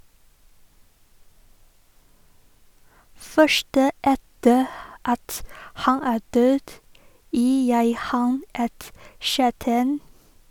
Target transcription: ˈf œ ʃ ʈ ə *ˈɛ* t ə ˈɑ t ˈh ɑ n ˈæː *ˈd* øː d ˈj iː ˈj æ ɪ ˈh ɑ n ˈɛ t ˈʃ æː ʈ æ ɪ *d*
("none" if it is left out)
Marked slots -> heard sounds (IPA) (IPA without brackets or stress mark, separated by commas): ɛ, d, n